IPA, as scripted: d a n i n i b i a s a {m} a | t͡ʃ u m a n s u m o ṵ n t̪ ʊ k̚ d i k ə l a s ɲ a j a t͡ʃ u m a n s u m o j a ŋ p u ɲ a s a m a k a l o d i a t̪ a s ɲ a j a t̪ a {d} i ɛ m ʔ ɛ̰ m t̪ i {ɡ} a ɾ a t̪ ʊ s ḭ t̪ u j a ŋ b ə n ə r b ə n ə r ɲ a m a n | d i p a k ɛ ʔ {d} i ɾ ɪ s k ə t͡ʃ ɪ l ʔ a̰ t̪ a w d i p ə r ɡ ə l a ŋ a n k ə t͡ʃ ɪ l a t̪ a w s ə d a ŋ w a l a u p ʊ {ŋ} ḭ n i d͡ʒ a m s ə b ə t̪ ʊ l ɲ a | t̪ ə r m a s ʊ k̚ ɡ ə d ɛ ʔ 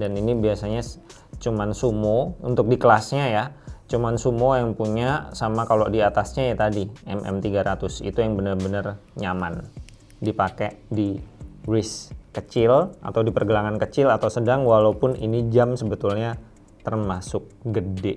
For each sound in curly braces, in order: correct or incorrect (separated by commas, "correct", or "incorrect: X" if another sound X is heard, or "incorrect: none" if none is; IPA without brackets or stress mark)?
incorrect: ɲ, correct, correct, correct, incorrect: n